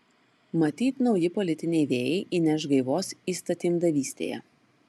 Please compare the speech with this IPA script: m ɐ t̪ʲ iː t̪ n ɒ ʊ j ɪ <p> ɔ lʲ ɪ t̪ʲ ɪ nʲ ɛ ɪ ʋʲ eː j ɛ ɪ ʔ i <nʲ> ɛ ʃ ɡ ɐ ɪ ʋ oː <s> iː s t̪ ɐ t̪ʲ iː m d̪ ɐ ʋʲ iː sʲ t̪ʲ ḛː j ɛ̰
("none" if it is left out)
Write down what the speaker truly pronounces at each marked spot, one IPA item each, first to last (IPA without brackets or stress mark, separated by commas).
p, nʲ, s